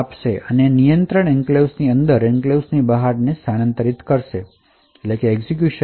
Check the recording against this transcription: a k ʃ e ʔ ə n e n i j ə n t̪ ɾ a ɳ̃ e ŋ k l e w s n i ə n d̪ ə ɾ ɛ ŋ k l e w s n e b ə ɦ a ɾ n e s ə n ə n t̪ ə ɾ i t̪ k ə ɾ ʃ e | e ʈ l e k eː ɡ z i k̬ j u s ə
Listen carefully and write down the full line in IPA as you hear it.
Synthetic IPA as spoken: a p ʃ e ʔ ə n e n i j ə n t̪ ɾ ə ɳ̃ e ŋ k l e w s n i ə n d̪ ə ɾ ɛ ŋ k l e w s n i b ə ɦ a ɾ n e s a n ə n t̪ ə ɾ i t̪ k ə ɾ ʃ e | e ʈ l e k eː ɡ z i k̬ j u ʃ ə

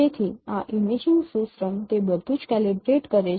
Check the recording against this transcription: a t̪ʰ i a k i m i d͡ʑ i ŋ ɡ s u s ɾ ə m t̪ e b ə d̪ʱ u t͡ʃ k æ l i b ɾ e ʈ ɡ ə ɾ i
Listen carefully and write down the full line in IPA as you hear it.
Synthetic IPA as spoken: e t̪ʰ i a ʔ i m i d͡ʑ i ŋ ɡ s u s ɾ ə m t̪ e b ə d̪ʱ u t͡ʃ k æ l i b ɾ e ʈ k ə ɾ e

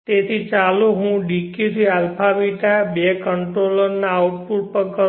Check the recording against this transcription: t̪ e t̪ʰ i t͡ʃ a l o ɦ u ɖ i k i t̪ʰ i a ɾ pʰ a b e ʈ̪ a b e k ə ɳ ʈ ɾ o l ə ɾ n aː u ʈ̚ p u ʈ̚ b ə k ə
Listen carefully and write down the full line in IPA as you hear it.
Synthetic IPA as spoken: t̪ e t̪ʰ i t͡ʃ a l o ɦ ũ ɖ i k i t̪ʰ i a l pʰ a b i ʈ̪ a b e k ə ɳ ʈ ɾ o l ə ɾ n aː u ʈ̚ p u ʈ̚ p ə k ə

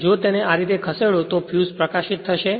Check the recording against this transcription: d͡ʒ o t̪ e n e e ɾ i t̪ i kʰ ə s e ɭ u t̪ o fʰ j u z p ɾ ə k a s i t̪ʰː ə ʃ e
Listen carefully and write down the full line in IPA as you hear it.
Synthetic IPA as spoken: d͡ʒ o t̪ e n e a ɾ i t̪ e kʰ ə s e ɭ o t̪ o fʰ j u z p ɾ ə k a ʃ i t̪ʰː ə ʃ e

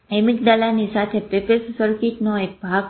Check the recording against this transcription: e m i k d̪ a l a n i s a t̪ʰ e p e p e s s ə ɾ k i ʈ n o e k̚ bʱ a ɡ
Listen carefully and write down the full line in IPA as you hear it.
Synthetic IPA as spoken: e m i k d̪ a l a n i s a t̪ʰ e p e p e s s ə ɾ k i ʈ n o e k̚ bʱ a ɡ

